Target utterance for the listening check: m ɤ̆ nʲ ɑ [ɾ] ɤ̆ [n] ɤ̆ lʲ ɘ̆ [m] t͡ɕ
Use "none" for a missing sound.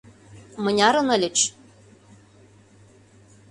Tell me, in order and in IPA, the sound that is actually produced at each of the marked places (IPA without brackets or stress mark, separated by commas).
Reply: ɾ, n, none